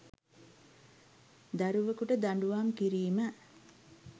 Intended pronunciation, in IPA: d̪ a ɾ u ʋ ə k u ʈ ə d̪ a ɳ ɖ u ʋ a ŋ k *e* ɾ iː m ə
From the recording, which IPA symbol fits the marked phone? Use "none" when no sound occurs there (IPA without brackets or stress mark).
i